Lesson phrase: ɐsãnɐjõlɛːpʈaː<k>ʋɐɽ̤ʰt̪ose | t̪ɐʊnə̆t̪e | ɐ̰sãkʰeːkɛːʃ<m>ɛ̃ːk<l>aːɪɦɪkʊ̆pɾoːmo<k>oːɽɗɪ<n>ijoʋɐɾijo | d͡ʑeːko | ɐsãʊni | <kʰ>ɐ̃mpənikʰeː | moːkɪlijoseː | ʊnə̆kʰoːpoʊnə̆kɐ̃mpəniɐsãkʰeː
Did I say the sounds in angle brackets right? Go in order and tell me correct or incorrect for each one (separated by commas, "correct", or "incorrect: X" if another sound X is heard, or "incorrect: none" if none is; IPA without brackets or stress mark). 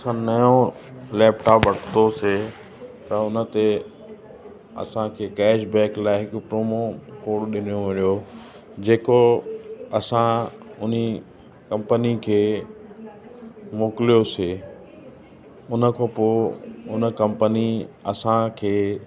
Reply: incorrect: p, incorrect: b, correct, correct, correct, incorrect: k